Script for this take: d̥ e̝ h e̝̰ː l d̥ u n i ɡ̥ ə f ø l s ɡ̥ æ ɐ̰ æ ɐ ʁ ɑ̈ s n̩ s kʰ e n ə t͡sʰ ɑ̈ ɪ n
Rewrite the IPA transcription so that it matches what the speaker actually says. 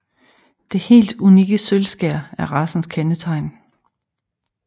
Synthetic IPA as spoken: d̥ e̝ h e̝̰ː l d̥ u n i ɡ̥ ə s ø l s ɡ̥ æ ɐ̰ æ ɐ ʁ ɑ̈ s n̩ s kʰ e n ə t͡sʰ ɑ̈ ɪ n